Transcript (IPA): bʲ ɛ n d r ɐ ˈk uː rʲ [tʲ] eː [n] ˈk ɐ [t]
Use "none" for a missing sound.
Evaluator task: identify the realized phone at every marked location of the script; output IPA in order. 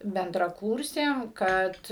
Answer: sʲ, m, t

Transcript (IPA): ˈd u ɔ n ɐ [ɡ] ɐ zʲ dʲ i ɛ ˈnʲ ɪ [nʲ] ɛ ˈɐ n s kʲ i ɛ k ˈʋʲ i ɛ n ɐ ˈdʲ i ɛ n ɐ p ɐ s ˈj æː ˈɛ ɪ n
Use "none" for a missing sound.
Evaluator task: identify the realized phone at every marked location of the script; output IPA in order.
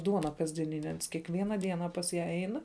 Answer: k, nʲ

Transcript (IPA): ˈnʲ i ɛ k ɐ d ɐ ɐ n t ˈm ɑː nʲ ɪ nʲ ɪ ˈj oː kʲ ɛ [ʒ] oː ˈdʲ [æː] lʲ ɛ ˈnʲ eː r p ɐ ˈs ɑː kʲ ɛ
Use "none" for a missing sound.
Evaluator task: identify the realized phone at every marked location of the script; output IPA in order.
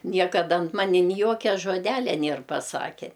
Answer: ʒ, æː

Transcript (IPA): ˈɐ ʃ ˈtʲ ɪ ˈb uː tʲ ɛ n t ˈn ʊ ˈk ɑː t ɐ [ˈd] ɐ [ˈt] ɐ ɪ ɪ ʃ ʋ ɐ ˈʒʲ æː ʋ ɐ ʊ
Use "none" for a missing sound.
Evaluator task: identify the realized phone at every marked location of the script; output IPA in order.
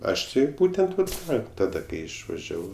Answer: d, k

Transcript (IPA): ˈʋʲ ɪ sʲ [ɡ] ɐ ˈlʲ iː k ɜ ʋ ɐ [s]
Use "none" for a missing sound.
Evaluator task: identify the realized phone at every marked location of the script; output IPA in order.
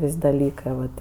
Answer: d, t

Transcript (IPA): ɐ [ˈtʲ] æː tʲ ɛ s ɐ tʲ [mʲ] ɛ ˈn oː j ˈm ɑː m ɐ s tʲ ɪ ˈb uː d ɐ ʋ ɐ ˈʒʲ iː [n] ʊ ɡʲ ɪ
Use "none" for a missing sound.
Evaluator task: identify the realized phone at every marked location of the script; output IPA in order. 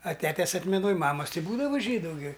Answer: tʲ, mʲ, d

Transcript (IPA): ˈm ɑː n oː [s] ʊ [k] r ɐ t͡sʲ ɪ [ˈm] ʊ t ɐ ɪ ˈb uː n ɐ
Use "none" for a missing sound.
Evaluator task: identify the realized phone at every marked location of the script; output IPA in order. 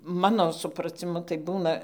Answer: s, p, m

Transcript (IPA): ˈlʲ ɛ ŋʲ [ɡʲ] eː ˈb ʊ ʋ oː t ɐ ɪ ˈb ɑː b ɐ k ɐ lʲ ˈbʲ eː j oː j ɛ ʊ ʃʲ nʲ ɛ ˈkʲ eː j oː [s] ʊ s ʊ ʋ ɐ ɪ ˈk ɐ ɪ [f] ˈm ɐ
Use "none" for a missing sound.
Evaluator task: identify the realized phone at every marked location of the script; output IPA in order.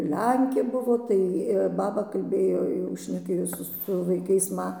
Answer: kʲ, s, s

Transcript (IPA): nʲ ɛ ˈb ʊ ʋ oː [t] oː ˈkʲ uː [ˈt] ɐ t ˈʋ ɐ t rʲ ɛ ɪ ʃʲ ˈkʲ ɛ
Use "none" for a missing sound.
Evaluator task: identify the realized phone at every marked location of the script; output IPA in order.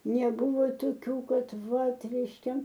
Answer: t, k

